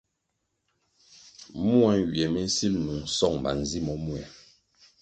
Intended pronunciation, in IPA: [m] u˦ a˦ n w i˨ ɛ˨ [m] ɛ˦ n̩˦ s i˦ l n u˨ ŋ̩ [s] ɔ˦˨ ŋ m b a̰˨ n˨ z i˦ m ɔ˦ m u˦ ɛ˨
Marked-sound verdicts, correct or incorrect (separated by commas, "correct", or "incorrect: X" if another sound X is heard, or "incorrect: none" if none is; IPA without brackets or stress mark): correct, correct, correct